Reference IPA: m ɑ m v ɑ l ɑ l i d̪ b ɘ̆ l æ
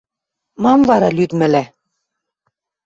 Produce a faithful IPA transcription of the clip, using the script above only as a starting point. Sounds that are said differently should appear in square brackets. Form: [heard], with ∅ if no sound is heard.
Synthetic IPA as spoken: m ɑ m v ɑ [ɾ] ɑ l [y] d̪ [m] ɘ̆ l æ

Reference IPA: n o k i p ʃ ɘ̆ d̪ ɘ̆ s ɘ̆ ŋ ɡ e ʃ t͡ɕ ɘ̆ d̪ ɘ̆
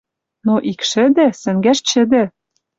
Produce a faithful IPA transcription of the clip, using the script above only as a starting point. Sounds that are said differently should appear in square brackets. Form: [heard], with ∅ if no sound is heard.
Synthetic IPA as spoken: n o [ʔ] i [k] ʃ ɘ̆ d̪ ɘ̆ s ɘ̆ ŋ ɡ [æ] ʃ t͡ɕ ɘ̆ d̪ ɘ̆

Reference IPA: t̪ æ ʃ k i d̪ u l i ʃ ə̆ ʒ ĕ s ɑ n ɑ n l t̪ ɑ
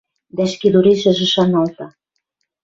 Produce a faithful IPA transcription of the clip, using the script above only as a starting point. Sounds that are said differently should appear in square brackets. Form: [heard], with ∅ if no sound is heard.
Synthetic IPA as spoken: [d̪] æ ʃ k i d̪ u [ɾ] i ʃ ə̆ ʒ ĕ [ʃ] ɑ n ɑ [∅] l t̪ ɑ

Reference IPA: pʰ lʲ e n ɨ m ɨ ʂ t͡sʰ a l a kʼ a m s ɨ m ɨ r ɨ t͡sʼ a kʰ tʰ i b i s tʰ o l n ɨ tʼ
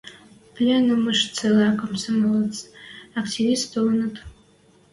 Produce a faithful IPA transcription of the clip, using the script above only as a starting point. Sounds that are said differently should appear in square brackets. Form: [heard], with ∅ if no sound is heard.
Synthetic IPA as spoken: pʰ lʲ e n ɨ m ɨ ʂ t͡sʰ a l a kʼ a m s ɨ m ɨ [l] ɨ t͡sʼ a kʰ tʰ i [v] i s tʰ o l n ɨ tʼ

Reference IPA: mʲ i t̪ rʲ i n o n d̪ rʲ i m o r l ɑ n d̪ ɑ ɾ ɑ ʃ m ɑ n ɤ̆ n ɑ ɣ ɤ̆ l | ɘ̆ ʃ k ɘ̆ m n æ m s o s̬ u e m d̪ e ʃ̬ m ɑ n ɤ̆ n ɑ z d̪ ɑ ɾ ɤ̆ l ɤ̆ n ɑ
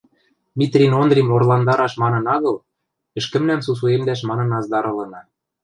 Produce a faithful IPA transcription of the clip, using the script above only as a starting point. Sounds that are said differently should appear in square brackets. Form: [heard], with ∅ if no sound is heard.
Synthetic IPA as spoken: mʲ i t̪ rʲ i n o n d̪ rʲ i m o r l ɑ n d̪ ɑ ɾ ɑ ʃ m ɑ n ɤ̆ n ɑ ɣ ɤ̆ l | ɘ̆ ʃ k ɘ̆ m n æ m s [u] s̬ u e m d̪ [æ] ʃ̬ m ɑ n ɤ̆ n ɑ z d̪ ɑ ɾ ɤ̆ l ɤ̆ n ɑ

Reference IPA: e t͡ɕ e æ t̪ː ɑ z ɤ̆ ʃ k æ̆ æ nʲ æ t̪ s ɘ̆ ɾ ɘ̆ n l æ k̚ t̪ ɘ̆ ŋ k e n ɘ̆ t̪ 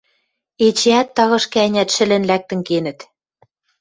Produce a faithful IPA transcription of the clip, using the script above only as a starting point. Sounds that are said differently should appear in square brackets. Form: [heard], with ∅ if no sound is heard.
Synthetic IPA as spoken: e t͡ɕ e æ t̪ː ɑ [ɣ] ɤ̆ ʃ k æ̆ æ nʲ æ t̪ [ʃ] ɘ̆ [l] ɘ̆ n l æ k̚ t̪ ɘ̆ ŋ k e n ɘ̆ t̪

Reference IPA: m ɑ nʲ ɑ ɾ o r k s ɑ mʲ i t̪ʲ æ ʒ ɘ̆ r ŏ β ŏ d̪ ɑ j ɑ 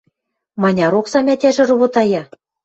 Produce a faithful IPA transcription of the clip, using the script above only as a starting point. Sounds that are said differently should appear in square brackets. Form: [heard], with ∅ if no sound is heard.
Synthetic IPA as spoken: m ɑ nʲ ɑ ɾ o [∅] k s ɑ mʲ [æ] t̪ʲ æ ʒ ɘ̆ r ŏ β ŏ [t̪] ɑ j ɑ

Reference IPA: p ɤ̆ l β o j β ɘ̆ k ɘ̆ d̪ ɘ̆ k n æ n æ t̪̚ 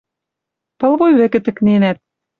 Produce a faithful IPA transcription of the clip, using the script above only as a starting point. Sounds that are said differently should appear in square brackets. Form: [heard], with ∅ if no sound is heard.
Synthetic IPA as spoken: p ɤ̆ l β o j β ɘ̆ k ɘ̆ [t̪] ɘ̆ k n [e] n æ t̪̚

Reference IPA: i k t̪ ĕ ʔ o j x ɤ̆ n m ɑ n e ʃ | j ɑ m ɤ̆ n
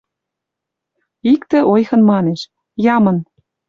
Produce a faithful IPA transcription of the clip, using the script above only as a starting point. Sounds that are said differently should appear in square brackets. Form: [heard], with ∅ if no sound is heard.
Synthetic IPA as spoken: i k t̪ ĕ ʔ o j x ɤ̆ n m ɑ n e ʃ | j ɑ m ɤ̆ n

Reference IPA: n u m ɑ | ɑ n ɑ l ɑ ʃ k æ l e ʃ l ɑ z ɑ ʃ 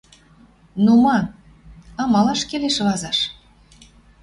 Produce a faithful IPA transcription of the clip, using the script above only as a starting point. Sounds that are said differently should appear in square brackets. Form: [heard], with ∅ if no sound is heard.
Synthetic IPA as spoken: n u m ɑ | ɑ [m] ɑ l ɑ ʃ k [e] l e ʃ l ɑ z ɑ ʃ

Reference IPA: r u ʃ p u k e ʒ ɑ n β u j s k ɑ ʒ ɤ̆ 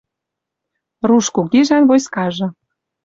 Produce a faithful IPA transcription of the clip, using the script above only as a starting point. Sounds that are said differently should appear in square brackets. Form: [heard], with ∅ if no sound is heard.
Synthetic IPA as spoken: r u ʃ [k] u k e ʒ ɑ n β [o] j s k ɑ ʒ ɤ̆

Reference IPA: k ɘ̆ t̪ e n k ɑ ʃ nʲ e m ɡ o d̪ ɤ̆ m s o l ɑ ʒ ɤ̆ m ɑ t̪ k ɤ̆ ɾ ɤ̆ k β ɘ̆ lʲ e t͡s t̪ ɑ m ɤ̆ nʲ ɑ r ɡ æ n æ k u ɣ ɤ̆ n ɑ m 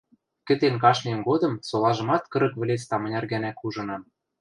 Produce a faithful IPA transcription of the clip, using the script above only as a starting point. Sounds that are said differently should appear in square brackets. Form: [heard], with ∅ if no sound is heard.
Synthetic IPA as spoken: k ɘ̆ t̪ e n k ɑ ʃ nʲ e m ɡ o d̪ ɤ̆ m s o l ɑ ʒ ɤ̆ m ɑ t̪ k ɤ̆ ɾ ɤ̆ k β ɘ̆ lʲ e t͡s t̪ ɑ m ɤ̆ nʲ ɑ r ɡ æ n æ k u [ʒ] ɤ̆ n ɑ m

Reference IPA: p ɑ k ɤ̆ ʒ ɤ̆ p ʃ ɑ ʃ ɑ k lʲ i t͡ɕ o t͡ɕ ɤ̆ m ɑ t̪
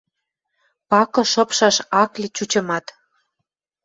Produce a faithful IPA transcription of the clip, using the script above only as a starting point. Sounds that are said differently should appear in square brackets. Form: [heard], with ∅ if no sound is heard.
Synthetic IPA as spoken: p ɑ k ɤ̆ [ʃ] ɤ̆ p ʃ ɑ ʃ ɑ k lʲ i t͡ɕ [u] t͡ɕ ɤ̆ m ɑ t̪

